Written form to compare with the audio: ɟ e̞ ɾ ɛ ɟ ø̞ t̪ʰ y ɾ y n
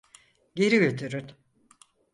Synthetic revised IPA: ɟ e̞ ɾ i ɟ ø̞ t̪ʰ y ɾ y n